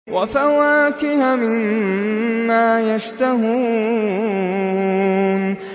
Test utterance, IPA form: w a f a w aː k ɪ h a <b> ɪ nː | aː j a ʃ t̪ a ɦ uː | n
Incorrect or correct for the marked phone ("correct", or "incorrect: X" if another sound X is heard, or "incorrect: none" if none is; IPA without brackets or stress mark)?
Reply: incorrect: m